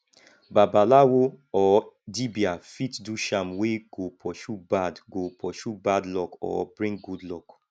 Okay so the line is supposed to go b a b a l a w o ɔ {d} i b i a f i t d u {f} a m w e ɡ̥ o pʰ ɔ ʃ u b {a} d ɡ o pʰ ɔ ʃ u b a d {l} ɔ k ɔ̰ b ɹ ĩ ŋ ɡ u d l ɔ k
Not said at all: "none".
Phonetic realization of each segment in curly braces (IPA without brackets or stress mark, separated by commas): d, ʃ, a, l